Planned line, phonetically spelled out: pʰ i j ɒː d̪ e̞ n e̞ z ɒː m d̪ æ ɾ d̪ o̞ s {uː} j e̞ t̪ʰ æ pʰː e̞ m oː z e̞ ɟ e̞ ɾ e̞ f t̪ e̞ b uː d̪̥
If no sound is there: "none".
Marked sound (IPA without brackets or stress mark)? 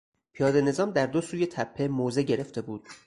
uː